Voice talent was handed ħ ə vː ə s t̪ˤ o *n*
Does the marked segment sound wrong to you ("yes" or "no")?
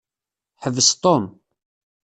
yes